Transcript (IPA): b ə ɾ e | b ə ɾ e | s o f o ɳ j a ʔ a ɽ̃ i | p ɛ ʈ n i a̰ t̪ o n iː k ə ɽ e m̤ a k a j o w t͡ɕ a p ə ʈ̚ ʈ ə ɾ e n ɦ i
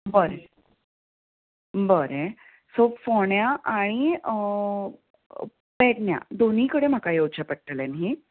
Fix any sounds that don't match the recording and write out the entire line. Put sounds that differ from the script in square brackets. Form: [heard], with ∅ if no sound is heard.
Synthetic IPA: b ə ɾ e | b ə ɾ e | s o f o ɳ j a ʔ a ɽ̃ i | p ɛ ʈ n [j] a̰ [d̪] o n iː k ə ɽ e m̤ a k a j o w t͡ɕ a p ə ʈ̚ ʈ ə [l] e n ɦ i